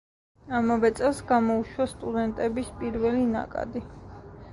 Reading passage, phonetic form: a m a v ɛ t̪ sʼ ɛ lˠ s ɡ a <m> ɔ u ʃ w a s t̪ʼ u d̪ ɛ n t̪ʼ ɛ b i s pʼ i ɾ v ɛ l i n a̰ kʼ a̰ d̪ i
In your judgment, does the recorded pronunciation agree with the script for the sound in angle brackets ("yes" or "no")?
yes